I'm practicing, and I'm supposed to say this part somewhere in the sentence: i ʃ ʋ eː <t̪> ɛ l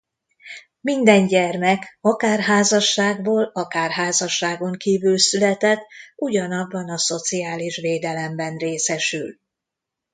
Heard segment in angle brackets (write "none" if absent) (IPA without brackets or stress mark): d̪